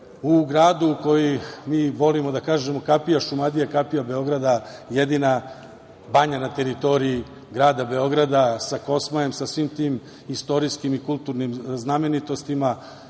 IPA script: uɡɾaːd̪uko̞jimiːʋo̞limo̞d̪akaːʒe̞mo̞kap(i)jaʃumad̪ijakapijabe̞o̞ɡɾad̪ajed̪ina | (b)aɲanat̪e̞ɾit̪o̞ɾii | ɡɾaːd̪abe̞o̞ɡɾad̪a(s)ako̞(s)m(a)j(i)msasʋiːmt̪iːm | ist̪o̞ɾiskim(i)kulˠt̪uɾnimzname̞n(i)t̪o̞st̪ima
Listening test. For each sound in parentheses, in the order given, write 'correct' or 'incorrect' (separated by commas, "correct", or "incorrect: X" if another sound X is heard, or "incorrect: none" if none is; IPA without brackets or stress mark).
correct, correct, correct, correct, correct, incorrect: e, correct, correct